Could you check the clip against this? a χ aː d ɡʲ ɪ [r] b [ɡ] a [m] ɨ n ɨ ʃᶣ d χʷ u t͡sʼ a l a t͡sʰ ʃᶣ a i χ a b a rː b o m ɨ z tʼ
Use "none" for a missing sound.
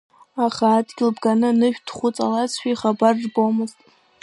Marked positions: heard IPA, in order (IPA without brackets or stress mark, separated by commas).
l, ɡ, n